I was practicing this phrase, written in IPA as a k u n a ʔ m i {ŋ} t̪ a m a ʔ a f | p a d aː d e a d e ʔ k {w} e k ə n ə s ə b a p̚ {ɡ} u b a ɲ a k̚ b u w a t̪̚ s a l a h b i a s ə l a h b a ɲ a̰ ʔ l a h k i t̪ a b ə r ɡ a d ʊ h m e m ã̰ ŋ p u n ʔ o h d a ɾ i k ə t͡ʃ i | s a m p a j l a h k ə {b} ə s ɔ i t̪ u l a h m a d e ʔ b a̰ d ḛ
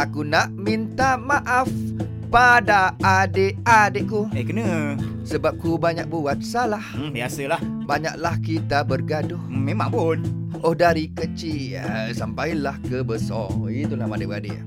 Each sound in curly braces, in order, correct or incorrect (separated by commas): incorrect, incorrect, incorrect, correct